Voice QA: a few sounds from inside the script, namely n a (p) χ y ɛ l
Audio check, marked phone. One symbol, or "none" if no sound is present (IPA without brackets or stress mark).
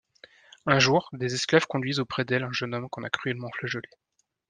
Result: k